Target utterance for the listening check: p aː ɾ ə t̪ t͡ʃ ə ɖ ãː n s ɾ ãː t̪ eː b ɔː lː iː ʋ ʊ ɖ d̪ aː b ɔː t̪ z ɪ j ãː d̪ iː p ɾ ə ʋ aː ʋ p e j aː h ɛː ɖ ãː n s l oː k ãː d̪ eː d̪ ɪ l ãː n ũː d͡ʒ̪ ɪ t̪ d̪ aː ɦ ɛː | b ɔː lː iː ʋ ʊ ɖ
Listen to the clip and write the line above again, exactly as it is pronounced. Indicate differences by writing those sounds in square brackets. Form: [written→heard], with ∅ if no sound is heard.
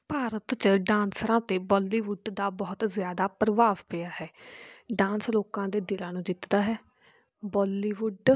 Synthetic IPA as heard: p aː ɾ ə t̪ t͡ʃ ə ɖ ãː n s ɾ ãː t̪ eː b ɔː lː iː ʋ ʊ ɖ d̪ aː b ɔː t̪ z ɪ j [ãː→aː] d̪ [iː→aː] p ɾ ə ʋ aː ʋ p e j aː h ɛː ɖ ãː n s l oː k ãː d̪ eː d̪ ɪ l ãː n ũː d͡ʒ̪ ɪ t̪ d̪ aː ɦ ɛː | b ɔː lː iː ʋ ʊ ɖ